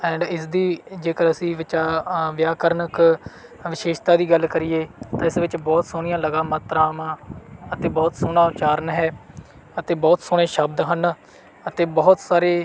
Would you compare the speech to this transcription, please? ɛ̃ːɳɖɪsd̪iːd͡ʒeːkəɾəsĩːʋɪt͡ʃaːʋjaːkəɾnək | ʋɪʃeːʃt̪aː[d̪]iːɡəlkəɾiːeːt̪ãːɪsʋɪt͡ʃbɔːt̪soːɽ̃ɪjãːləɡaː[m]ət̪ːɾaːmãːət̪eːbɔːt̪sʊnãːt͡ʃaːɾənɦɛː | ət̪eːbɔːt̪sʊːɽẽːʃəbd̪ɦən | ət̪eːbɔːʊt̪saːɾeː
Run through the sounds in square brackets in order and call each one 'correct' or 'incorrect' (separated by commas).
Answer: correct, correct